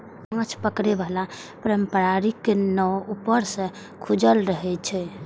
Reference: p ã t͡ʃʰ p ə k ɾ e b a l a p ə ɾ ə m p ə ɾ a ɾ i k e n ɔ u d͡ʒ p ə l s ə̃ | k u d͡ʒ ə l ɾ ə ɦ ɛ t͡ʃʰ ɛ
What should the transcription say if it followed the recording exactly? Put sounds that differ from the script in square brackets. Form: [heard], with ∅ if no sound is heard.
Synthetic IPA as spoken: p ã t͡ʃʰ p ə k ɾ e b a l a p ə ɾ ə m p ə ɾ a ɾ i k e n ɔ u [∅] p ə [ɾ] s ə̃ | [kʰ] u d͡ʒ ə l ɾ ə ɦ ɛ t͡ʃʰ ɛ